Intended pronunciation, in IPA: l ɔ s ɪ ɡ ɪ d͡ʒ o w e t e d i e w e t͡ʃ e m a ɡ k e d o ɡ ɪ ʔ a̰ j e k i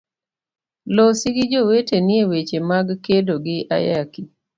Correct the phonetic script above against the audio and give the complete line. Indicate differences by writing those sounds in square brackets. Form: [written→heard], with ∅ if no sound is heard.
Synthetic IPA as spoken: l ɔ s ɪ ɡ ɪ d͡ʒ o w e t e [d→n] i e w e t͡ʃ e m a ɡ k e d o ɡ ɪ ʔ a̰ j [e→a] k i

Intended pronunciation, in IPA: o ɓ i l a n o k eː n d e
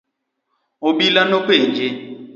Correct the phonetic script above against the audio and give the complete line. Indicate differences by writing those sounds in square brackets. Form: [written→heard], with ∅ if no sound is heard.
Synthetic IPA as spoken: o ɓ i l a n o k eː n [d→d͡ʒ] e

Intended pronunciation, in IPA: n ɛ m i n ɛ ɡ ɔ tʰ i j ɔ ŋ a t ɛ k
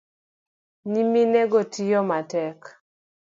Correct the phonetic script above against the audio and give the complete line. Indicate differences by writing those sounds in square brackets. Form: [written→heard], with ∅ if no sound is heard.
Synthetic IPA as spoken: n [ɛ→i] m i n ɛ ɡ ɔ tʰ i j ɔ [ŋ→m] a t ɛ k

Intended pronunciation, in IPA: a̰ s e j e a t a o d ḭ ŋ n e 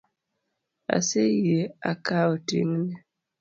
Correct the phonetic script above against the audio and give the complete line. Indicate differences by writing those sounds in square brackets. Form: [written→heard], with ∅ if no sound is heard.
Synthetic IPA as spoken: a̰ s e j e a [t→k] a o [d→t] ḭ ŋ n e

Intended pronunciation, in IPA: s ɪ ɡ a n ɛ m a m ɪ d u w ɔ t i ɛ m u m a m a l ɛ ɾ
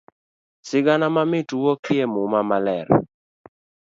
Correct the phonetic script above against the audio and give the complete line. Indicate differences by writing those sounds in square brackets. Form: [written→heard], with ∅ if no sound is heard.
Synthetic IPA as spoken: s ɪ ɡ a n [ɛ→a] m a m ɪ [d→t] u w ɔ [t→k] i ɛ m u m a m a l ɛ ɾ

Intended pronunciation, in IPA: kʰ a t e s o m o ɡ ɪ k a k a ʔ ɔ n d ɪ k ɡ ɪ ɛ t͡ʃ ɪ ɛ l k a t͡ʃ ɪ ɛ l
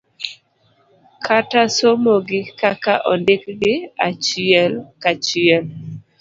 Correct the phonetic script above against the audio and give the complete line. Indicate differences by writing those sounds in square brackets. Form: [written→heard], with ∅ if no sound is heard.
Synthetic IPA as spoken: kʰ a t [e→a] s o m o ɡ ɪ k a k a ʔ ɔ n d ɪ k ɡ ɪ [ɛ→a] t͡ʃ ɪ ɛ l k a t͡ʃ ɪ ɛ l

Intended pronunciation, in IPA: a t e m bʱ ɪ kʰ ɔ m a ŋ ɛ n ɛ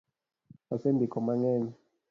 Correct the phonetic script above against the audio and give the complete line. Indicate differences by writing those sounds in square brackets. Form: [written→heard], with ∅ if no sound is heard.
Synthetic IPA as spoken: a [t→s] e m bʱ [ɪ→i] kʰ ɔ m a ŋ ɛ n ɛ

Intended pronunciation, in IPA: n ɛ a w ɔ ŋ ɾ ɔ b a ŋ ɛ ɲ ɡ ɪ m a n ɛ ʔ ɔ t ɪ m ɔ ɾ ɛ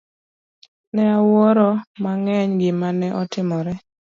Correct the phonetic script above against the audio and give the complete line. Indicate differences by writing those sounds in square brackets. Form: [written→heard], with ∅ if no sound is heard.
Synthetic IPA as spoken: n ɛ a w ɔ [ŋ→∅] ɾ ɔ [b→m] a ŋ ɛ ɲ ɡ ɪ m a n ɛ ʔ ɔ t ɪ m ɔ ɾ ɛ

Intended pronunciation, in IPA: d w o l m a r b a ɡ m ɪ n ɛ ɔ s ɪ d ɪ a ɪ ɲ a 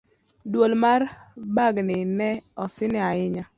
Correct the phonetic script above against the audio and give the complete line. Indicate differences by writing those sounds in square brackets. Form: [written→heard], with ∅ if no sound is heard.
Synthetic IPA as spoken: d w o l m a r b a ɡ [m→n] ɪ n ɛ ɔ s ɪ [d→n] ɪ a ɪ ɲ a

